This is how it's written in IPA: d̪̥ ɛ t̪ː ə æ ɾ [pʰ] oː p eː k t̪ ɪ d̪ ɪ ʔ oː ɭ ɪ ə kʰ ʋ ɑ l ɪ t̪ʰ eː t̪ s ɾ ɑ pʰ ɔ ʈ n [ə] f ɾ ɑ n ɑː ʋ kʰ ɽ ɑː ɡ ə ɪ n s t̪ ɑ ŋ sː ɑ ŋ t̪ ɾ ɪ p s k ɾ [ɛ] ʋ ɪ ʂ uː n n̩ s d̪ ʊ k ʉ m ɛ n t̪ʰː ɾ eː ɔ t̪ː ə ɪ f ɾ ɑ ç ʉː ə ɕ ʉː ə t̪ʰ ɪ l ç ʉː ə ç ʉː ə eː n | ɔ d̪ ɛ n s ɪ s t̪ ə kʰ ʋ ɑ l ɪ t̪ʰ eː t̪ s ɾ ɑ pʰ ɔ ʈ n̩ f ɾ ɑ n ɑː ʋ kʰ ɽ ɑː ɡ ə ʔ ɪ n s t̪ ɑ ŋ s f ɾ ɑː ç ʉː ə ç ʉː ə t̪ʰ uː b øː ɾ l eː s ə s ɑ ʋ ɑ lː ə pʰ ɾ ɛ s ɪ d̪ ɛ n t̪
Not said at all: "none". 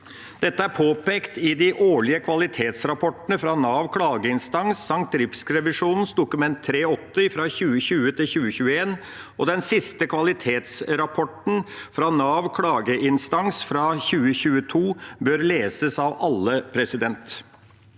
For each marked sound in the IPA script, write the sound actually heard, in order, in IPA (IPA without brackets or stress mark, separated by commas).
pʰ, ə, ɛ